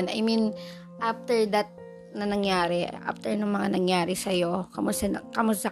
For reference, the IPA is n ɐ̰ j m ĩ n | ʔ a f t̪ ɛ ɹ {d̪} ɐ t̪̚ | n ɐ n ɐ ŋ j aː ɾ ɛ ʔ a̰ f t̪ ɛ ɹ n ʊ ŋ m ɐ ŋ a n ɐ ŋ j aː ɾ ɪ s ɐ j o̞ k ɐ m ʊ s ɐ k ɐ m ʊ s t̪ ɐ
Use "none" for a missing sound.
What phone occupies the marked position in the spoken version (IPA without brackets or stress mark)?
d̪